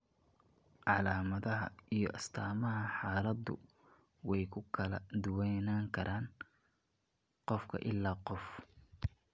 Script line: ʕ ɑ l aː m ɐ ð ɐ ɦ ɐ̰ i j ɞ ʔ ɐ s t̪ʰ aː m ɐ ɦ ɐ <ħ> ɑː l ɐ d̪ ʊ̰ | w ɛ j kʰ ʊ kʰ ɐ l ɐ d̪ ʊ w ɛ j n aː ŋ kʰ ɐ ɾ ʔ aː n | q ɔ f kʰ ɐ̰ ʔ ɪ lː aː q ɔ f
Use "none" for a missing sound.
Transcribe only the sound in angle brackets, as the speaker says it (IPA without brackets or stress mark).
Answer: ħ